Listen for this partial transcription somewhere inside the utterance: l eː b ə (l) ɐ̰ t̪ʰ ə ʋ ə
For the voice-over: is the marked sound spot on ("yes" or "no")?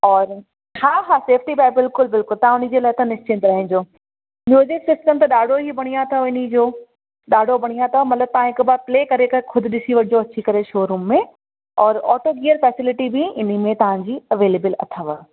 yes